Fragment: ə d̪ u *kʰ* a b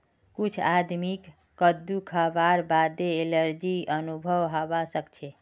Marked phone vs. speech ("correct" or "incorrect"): correct